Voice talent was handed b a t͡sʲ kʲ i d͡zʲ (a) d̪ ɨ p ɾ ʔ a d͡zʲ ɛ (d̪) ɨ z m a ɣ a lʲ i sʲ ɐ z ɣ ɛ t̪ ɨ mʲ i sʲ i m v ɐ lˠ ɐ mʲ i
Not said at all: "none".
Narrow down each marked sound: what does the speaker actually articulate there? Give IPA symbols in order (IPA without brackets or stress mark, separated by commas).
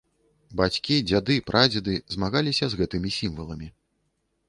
a, d̪